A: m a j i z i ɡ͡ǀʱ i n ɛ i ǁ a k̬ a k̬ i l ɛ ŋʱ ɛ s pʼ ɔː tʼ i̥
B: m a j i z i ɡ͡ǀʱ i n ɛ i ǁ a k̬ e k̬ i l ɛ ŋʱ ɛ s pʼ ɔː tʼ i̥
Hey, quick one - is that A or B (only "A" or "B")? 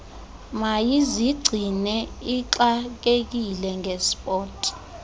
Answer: B